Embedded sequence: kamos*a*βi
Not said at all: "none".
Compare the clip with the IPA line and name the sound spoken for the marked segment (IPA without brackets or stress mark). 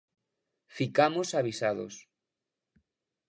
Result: a